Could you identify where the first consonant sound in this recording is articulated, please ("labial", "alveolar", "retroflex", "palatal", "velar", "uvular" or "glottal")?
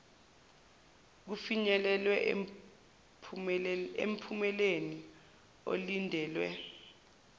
velar